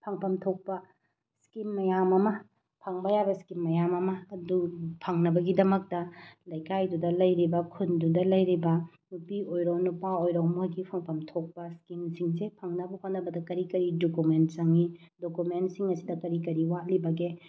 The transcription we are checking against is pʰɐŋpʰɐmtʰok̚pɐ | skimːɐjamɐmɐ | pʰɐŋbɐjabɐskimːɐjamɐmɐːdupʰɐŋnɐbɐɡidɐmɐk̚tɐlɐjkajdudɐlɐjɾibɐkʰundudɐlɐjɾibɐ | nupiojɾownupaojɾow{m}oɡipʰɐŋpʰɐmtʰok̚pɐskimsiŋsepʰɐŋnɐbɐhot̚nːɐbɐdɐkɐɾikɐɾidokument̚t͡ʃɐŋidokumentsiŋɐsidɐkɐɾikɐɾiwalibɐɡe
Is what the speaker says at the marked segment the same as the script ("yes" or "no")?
yes